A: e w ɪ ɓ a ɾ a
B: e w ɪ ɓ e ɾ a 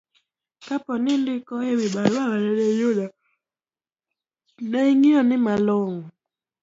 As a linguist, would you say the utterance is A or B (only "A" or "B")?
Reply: A